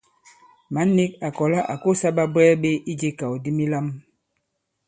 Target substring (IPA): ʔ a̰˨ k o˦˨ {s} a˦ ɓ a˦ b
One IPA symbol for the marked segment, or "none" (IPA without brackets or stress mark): s